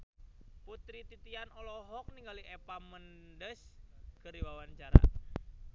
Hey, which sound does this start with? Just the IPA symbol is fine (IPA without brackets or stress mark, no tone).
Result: p